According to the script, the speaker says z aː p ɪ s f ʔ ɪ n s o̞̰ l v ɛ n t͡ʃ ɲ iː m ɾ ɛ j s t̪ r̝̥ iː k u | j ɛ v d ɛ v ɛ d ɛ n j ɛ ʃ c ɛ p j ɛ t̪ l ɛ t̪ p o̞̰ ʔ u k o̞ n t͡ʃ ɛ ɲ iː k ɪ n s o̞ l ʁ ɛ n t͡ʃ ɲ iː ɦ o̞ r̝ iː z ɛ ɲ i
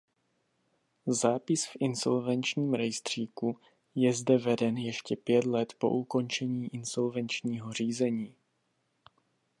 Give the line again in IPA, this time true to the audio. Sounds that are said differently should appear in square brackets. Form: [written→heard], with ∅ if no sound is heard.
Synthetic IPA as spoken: z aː p ɪ s f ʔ ɪ n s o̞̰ l v ɛ n t͡ʃ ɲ iː m ɾ ɛ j s t̪ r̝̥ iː k u | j ɛ [v→z] d ɛ v ɛ d ɛ n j ɛ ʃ c ɛ p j ɛ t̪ l ɛ t̪ p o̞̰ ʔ u k o̞ n t͡ʃ ɛ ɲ iː [k→ʔ] ɪ n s o̞ l [ʁ→v] ɛ n t͡ʃ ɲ iː ɦ o̞ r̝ iː z ɛ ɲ [i→iː]

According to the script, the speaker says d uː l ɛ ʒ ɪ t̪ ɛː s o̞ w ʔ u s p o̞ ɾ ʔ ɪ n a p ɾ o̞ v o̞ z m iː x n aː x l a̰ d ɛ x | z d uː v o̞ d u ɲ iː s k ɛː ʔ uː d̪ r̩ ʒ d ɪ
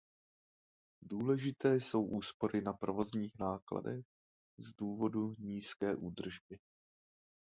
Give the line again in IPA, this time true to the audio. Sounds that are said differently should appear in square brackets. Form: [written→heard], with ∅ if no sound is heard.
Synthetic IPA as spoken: d uː l ɛ ʒ ɪ t̪ ɛː s o̞ w ʔ [u→uː] s p o̞ ɾ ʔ ɪ n a p ɾ o̞ v o̞ z [m→ɲ] iː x n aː [x→k] l a̰ d ɛ x | z d uː v o̞ d u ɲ iː s k ɛː ʔ uː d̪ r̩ ʒ [d→b] ɪ

